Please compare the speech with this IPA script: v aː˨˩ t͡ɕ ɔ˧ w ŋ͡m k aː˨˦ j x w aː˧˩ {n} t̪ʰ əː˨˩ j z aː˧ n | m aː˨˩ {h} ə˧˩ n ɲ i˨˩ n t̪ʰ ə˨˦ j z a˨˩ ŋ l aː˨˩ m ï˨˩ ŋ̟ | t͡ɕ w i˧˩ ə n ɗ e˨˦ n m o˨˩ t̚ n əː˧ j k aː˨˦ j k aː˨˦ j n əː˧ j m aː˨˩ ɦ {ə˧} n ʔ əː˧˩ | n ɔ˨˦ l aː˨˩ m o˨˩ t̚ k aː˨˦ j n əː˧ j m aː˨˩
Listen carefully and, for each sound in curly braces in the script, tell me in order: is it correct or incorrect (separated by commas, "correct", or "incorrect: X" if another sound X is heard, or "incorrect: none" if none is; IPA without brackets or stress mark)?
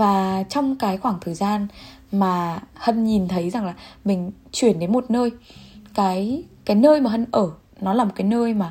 incorrect: ŋ, correct, correct